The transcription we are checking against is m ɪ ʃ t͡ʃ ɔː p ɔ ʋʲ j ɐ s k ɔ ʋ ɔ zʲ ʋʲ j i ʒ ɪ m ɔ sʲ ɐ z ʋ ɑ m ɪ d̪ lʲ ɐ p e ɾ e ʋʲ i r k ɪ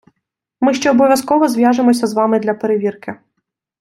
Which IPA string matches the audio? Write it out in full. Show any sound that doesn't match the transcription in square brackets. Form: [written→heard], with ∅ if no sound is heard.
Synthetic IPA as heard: m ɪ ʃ t͡ʃ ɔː [p→b] ɔ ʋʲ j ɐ s k ɔ ʋ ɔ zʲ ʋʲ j [i→a] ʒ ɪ m ɔ sʲ ɐ z ʋ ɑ m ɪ d̪ lʲ ɐ p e ɾ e ʋʲ i r k ɪ